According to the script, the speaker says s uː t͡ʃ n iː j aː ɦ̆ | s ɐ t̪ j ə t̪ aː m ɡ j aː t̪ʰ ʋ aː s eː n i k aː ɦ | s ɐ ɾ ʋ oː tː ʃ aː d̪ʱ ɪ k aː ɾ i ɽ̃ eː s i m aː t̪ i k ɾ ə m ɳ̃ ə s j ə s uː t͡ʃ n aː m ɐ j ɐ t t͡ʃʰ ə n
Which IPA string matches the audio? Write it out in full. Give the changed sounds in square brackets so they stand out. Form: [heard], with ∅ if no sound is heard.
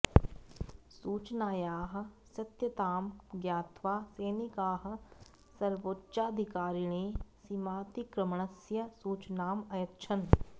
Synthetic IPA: s uː t͡ʃ n [aː] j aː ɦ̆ | s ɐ t̪ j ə t̪ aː m ɡ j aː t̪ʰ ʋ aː s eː n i k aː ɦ | s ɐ ɾ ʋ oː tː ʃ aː d̪ʱ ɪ k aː ɾ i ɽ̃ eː s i m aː t̪ i k ɾ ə m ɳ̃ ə s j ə s uː t͡ʃ n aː m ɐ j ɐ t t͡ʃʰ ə n